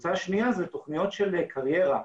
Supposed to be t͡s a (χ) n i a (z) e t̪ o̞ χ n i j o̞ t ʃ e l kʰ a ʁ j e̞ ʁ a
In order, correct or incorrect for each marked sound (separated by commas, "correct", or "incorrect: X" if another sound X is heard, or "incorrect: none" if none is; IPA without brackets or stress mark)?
incorrect: ʃ, correct